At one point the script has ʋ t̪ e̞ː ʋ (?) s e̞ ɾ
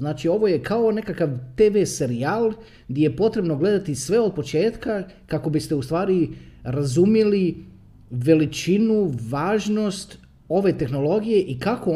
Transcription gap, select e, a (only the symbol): e